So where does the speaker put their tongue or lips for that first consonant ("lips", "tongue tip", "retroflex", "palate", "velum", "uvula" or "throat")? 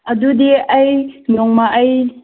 tongue tip